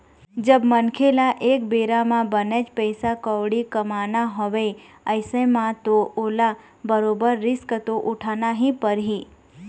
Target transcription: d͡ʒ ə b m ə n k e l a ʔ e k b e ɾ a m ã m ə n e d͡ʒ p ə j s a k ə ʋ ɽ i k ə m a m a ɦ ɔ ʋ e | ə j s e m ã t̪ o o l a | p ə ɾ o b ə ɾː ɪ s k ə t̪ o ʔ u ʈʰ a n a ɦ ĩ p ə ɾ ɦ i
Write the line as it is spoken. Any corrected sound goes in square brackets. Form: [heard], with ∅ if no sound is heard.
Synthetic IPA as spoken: d͡ʒ ə b m ə n [kʰ] e l a ʔ e k b e ɾ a m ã [b] ə n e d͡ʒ p ə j s a k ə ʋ ɽ i k ə m a [n] a ɦ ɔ ʋ e | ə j s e m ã t̪ o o l a | [b] ə ɾ o b ə ɾː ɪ s k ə t̪ o ʔ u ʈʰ a n a ɦ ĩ p ə ɾ ɦ i